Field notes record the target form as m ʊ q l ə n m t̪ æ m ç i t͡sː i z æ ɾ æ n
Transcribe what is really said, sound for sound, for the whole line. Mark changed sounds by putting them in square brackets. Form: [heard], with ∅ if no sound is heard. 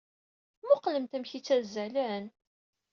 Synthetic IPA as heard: m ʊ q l ə [∅] m t̪ æ m ç i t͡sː [æ] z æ [l] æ n